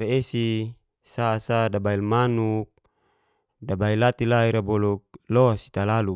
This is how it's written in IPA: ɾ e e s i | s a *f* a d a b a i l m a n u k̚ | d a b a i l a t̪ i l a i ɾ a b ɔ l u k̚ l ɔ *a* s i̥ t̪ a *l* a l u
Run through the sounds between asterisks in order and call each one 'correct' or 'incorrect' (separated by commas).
incorrect, correct, correct